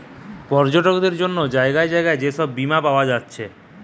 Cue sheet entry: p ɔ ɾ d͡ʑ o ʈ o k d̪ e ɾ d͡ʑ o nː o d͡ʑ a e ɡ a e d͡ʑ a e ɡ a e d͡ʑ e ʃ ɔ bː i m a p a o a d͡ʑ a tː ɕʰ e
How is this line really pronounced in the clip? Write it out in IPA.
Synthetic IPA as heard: p ɔ ɾ d͡ʑ o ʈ o k d̪ e ɾ d͡ʑ o nː o d͡ʑ a e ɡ a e d͡ʑ a e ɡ a e d͡ʑ e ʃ ɔ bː i m a p a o a d͡ʑ a tː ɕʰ e